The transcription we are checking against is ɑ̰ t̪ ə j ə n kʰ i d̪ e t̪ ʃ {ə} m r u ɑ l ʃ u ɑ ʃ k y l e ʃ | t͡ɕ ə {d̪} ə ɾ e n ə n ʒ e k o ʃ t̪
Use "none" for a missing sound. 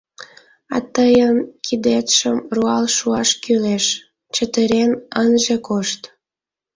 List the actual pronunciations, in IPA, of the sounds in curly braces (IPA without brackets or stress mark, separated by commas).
ə, t̪